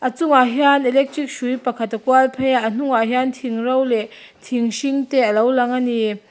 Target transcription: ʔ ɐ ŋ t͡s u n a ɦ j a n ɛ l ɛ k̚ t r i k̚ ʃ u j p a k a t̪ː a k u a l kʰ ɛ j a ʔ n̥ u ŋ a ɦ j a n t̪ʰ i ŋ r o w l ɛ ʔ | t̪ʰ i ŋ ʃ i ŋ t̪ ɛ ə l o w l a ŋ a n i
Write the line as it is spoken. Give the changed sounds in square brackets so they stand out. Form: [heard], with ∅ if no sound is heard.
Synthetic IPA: ʔ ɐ [∅] t͡s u [ŋ] a ɦ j a n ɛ l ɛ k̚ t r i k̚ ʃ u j p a [kʰ] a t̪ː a k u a l [pʰ] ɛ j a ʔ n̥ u ŋ a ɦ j a n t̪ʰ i ŋ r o w l ɛ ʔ | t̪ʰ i ŋ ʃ i ŋ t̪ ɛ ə l o w l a ŋ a n i